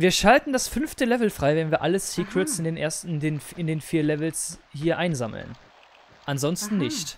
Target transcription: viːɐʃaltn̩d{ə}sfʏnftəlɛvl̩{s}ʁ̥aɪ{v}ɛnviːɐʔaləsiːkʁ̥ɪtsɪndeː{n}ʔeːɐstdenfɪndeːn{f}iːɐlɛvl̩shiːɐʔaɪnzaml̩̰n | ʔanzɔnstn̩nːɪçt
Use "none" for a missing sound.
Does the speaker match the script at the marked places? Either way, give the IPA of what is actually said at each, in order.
a, f, v, n, f

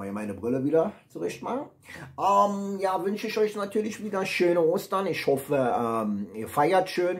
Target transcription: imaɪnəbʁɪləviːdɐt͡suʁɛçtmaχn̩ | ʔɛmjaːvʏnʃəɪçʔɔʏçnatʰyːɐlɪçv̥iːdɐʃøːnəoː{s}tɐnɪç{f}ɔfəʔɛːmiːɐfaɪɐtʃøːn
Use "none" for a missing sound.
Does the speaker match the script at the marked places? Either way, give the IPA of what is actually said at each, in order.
s, h

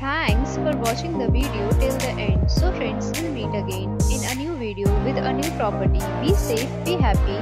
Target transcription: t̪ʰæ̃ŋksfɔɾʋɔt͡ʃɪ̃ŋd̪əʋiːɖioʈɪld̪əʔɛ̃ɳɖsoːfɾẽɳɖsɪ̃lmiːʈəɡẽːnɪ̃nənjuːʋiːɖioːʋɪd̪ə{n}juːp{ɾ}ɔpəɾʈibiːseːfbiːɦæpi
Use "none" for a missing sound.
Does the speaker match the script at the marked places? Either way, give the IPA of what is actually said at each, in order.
n, ɾ

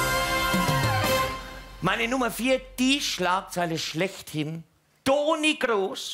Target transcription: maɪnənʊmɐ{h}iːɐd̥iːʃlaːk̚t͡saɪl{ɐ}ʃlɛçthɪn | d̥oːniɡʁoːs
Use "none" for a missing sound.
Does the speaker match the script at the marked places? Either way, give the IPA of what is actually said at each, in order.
f, ə

